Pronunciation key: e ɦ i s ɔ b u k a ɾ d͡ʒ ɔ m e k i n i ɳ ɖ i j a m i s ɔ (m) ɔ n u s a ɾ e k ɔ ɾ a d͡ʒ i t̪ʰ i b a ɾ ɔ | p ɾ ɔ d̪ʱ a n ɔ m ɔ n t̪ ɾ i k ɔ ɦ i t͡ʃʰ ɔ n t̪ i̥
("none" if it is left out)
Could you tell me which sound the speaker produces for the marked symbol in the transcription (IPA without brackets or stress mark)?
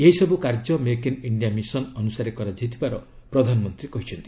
n